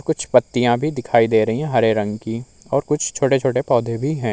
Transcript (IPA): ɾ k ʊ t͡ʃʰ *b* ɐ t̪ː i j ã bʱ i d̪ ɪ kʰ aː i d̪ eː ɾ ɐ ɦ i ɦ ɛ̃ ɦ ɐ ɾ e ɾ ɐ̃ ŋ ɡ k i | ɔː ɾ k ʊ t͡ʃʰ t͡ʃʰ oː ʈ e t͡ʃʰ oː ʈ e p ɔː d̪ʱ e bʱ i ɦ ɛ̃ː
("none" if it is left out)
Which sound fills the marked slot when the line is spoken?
p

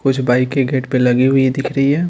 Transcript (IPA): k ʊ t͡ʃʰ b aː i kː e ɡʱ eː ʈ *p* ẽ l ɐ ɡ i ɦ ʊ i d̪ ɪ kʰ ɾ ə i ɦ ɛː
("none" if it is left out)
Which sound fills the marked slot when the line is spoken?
p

